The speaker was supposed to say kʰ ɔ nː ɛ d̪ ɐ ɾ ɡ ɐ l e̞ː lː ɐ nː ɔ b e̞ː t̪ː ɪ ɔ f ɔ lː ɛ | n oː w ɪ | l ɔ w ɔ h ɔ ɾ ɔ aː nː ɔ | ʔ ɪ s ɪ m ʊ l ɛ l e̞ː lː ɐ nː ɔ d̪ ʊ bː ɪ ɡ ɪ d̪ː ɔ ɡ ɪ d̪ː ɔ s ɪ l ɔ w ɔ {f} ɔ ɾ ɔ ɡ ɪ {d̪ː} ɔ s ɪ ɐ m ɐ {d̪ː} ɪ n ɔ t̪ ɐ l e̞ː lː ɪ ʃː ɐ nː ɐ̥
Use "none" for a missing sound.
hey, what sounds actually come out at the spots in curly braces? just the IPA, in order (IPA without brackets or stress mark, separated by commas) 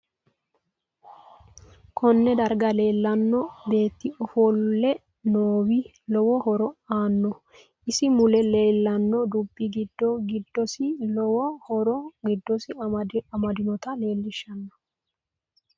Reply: h, d̪ː, d̪